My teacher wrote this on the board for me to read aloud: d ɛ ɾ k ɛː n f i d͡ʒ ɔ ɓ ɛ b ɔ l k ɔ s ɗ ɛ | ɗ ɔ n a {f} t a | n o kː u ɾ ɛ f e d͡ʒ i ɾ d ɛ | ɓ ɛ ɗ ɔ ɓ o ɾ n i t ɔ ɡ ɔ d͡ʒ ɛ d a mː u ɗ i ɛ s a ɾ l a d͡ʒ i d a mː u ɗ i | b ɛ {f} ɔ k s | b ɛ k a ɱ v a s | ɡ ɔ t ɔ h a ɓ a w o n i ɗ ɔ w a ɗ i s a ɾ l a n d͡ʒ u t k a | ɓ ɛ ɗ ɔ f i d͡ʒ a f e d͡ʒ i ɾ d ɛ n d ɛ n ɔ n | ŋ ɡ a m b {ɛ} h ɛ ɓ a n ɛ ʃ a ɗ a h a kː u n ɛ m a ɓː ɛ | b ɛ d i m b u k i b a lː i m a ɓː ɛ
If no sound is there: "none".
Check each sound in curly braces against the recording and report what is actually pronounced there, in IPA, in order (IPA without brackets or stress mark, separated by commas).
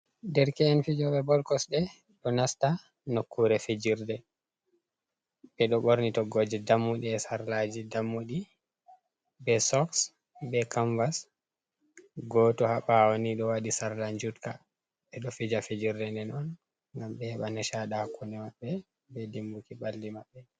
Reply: s, s, ɛ